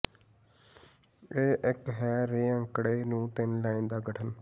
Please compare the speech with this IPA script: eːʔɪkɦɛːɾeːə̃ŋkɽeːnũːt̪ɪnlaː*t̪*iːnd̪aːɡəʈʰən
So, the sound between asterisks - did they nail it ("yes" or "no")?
no